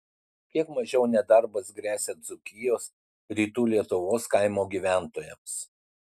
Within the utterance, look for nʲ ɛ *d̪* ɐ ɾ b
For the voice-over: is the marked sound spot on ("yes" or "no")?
yes